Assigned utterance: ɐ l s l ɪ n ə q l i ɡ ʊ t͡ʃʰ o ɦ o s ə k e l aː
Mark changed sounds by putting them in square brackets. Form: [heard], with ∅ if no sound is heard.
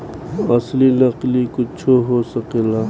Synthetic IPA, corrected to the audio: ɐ [∅] s l [i] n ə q l i [k] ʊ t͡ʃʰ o ɦ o s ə k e l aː